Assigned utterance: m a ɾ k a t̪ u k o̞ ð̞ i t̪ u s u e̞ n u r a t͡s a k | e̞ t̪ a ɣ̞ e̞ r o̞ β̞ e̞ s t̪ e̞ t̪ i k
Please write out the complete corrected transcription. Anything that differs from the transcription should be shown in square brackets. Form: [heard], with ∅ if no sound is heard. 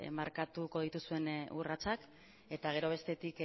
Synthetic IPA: m a ɾ k a t̪ u k o̞ ð̞ i t̪ u s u e̞ n u r a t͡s a k | e̞ t̪ a ɣ̞ e̞ [ɾ] o̞ β̞ e̞ s t̪ e̞ t̪ i k